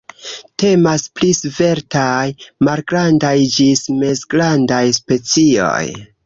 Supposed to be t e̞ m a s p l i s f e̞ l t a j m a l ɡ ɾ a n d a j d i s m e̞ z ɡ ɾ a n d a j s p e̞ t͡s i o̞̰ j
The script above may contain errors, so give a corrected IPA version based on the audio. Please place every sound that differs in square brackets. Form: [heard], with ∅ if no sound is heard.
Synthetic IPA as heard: t e̞ m a s p l i s [v] e̞ [ɾ] t a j m a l ɡ ɾ a n d a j [d͡ʒ] i s m e̞ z ɡ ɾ a n d a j s p e̞ t͡s i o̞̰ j